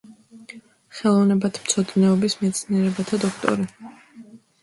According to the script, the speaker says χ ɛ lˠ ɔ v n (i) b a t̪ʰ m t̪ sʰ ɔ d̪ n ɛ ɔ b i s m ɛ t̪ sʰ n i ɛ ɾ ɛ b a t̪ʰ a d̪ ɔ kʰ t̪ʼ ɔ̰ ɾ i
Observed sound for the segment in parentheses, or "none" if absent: ɛ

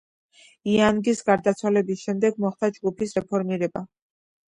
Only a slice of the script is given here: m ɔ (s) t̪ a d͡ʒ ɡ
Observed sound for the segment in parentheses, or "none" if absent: χ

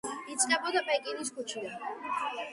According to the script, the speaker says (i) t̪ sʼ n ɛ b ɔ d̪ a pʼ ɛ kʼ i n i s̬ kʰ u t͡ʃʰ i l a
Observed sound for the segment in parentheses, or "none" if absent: i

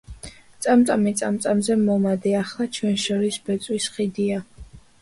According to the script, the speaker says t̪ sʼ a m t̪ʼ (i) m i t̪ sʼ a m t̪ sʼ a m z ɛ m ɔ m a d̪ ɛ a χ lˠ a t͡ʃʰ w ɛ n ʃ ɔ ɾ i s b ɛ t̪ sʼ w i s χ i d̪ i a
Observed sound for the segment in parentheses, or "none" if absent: a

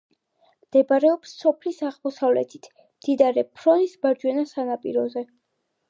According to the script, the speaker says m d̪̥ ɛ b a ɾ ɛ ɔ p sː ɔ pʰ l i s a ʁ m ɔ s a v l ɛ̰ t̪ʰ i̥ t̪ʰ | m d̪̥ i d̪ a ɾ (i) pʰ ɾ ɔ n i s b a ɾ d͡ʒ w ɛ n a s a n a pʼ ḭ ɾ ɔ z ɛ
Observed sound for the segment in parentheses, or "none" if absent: ɛ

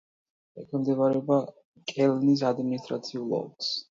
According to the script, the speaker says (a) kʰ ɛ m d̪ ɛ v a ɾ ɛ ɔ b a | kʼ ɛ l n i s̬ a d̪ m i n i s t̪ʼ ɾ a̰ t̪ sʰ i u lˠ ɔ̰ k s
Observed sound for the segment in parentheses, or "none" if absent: ɛ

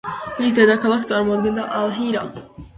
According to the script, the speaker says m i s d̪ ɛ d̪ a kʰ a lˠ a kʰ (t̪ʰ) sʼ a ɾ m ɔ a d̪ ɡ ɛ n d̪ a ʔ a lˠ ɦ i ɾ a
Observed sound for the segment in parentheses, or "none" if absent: t̪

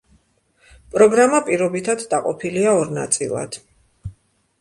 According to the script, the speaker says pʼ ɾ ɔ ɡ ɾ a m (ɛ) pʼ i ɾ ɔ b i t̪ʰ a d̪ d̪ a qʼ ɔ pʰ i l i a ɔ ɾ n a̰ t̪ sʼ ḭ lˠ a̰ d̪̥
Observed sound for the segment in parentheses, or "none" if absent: a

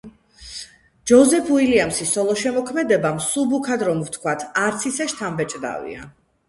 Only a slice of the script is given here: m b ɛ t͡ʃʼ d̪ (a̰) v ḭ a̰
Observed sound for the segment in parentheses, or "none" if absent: a̰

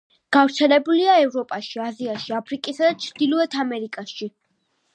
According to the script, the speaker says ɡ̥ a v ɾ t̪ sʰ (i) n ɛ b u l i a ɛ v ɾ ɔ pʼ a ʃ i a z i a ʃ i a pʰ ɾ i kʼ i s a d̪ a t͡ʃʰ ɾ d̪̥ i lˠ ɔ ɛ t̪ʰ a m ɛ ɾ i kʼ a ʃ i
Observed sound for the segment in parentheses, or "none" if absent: ɛ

